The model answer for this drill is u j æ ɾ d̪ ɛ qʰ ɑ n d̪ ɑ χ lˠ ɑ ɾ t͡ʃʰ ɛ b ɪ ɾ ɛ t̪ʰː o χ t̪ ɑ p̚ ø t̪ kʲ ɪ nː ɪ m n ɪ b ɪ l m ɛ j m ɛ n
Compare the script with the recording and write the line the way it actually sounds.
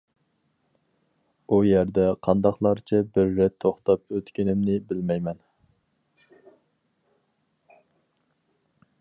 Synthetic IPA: u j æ ɾ d̪ ɛ qʰ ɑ n d̪ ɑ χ lˠ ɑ ɾ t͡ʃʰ ɛ b ɪ ɾː ɛ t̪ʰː o χ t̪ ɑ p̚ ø t̪ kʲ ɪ n ɪ m n ɪ b ɪ l m ɛ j m ɛ n